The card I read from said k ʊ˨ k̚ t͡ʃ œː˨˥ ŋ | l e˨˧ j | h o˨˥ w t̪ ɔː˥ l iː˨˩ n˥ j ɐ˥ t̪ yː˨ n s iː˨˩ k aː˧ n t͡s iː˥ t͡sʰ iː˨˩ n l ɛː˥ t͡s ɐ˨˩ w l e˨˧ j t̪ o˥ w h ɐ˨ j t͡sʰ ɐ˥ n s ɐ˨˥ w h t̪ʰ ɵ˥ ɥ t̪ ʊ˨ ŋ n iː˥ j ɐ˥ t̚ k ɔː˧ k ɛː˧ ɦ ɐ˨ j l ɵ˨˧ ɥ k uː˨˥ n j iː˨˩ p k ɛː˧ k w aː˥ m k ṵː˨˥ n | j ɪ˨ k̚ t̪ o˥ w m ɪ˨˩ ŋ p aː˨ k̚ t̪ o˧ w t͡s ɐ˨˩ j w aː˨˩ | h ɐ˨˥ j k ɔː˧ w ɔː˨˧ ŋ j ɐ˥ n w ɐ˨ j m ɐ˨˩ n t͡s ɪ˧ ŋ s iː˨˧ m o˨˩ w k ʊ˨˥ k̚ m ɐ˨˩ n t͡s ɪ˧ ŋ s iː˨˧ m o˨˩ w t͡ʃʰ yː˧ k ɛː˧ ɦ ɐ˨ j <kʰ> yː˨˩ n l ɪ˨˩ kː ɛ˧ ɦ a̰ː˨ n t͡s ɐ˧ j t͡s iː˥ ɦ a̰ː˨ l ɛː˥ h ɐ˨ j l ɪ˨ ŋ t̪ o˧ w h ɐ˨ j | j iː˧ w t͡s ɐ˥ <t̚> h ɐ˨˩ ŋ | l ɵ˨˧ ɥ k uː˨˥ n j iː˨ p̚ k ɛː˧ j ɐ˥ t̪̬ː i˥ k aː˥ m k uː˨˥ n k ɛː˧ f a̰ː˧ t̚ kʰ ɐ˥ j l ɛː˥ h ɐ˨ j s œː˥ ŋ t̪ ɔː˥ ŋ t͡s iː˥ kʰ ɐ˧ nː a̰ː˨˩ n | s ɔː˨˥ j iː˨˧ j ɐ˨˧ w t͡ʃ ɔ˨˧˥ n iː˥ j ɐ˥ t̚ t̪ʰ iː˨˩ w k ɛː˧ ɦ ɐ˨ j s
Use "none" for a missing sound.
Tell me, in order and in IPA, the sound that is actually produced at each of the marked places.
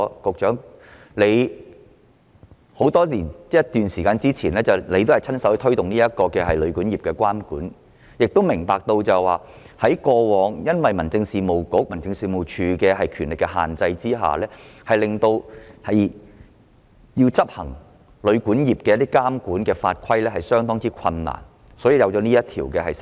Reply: kʰ, p̚

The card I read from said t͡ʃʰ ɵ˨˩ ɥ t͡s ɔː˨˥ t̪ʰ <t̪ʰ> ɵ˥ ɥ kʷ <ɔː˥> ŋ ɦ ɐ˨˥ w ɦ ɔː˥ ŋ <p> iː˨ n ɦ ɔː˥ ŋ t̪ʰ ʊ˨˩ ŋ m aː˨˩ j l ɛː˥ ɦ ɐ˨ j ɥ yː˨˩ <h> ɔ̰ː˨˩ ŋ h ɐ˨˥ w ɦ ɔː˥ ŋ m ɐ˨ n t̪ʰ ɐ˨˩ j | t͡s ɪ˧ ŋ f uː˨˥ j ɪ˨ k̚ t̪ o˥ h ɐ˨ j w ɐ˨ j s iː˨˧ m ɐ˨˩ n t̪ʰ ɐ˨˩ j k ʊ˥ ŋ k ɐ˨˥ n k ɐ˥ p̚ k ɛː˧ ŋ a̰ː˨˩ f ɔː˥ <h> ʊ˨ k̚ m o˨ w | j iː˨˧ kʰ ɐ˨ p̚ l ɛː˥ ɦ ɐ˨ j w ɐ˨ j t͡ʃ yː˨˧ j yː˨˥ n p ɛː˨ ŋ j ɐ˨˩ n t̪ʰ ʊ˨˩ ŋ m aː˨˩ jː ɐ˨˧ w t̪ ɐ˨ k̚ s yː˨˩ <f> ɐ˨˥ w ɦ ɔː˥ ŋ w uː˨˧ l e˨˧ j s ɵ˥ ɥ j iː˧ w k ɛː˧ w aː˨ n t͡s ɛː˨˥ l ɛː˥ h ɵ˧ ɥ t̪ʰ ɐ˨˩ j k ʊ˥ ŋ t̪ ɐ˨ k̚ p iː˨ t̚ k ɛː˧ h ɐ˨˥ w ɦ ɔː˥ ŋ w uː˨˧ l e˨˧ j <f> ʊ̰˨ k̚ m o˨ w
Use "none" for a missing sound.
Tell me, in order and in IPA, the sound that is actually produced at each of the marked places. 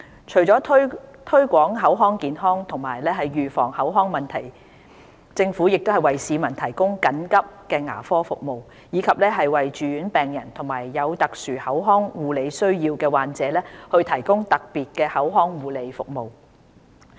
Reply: t̪ʰ, ɔː˨˥, k, f, f, h, f

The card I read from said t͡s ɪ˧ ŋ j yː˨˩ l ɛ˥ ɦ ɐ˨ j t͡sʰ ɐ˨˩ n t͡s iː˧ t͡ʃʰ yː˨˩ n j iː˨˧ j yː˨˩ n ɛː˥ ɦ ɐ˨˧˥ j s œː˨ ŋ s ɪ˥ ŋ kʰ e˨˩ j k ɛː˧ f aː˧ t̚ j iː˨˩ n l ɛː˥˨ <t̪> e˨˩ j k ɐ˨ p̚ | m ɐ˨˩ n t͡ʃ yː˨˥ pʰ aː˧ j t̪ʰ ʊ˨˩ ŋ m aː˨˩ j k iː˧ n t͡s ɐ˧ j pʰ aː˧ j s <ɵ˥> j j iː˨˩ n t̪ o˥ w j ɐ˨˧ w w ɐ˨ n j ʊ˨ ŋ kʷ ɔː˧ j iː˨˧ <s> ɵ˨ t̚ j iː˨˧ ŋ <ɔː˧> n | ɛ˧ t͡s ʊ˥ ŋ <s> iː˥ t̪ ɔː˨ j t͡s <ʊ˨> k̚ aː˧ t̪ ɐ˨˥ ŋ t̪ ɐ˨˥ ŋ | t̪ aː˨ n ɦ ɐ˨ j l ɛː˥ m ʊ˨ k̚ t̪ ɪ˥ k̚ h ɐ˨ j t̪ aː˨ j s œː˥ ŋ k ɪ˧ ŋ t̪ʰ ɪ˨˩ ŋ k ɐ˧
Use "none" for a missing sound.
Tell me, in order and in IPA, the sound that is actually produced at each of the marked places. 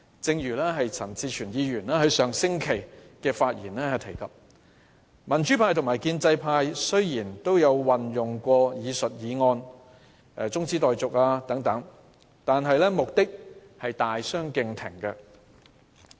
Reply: t̪ʰ, ɵ˥, s, ɔː˧, t͡s, ʊ˨

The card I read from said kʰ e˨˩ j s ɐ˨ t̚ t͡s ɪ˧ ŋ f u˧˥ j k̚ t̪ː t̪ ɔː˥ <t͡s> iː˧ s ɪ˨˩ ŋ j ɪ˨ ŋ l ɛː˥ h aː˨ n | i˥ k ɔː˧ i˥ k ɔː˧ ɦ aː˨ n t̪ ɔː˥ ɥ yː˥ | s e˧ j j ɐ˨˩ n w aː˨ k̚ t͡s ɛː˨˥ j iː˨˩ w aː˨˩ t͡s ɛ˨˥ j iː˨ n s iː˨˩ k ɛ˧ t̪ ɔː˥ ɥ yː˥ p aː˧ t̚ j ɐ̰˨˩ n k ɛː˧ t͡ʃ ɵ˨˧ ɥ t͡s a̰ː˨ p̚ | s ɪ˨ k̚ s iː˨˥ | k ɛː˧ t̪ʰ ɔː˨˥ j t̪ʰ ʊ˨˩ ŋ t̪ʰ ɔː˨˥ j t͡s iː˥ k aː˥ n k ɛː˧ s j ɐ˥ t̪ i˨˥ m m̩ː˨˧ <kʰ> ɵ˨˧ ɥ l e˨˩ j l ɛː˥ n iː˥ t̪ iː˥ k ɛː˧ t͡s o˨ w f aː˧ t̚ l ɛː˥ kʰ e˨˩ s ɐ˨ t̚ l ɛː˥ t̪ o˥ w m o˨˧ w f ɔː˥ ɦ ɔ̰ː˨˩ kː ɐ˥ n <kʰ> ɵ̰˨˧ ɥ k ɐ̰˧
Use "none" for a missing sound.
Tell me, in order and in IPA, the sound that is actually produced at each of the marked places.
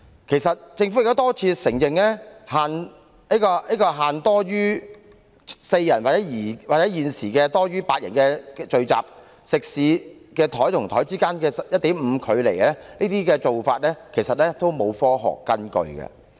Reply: t͡sʰ, kʰ, k

